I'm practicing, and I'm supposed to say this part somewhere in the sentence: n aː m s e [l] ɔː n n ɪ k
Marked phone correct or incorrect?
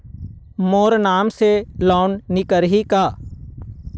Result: correct